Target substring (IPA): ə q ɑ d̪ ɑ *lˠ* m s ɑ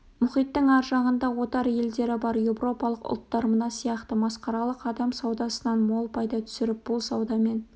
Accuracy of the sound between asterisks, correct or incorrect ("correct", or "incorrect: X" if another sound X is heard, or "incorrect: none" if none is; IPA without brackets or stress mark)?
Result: incorrect: none